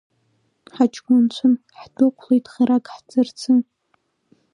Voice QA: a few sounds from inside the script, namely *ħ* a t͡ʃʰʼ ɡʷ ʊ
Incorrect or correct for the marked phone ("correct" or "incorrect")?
correct